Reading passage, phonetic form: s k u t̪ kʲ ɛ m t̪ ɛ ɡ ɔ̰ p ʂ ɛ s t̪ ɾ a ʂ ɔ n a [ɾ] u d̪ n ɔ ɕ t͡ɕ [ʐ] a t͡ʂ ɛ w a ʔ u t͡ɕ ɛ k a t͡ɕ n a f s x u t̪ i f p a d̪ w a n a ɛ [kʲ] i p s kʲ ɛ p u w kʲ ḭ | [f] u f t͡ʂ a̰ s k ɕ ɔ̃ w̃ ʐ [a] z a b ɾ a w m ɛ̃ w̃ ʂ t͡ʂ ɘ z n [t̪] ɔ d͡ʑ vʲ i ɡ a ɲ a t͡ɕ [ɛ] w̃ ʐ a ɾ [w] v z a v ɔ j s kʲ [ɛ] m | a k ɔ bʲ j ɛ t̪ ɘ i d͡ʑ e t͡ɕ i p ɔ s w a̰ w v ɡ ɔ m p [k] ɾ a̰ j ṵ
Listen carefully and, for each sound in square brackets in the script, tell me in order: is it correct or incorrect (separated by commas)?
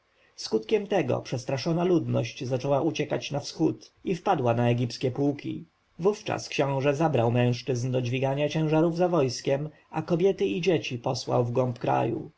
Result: incorrect, incorrect, incorrect, incorrect, incorrect, incorrect, incorrect, incorrect, correct, correct